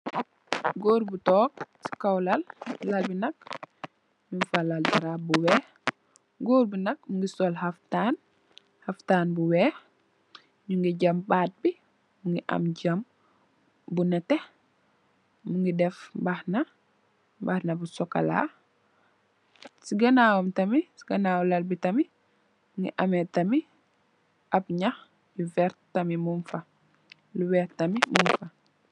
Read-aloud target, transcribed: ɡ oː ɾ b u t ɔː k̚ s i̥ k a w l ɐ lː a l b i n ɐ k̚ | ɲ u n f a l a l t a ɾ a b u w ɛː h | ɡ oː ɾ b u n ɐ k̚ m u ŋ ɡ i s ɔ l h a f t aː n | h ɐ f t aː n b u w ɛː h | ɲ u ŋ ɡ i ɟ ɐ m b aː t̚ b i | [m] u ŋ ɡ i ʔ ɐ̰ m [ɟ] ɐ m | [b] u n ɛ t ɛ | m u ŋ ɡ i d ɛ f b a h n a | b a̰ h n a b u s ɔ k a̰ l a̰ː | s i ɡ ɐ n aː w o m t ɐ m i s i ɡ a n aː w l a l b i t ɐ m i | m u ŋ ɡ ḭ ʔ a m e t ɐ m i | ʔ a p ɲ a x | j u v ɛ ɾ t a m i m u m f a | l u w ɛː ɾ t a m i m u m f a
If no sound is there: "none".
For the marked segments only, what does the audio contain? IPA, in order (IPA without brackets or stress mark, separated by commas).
m, ɟ, b